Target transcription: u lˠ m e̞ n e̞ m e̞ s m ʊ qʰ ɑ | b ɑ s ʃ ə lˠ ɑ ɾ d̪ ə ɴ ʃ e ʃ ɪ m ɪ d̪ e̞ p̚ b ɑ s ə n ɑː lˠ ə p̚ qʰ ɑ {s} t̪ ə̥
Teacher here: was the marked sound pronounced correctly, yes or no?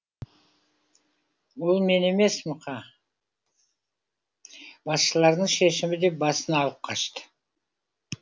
no